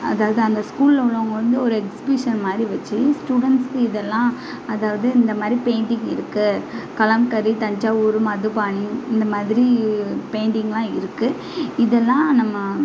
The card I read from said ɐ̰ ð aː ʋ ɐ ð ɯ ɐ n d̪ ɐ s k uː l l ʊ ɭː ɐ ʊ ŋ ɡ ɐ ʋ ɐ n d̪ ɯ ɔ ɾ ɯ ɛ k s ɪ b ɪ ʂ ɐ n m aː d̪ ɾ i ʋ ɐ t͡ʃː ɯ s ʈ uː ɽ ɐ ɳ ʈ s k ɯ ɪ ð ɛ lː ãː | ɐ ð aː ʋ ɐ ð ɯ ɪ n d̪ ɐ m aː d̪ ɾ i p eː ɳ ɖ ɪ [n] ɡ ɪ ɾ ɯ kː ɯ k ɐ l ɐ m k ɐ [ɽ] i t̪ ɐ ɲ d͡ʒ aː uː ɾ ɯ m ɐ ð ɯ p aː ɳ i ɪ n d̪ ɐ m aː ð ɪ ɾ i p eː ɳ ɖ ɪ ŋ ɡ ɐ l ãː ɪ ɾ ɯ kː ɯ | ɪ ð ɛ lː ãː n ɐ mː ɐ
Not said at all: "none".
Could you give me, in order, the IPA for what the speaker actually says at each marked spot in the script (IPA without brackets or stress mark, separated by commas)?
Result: ŋ, ɾ